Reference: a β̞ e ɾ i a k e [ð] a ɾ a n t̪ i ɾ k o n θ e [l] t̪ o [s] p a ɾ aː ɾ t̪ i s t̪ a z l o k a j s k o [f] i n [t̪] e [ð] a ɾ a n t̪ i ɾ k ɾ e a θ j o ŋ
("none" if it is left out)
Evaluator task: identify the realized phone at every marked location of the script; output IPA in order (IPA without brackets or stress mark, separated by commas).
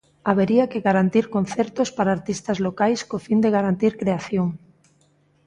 ɣ, ɾ, s, f, d̪, ɣ